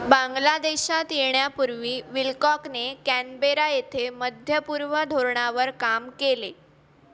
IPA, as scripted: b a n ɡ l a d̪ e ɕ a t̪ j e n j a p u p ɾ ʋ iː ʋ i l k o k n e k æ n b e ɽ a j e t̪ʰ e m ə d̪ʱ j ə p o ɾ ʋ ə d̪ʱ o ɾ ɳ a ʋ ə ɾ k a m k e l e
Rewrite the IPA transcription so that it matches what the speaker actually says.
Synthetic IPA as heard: b a ŋ ɡ l a d̪ e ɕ a t̪ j e ɳ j a p u ɾ ʋ iː ʋ i l k ɔ k n e k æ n b e ɾ a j e t̪ʰ e m ə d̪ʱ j ə p u ɾ ʋ ə d̪ʱ o ɾ ɳ a ʋ ə ɾ k a m k e l e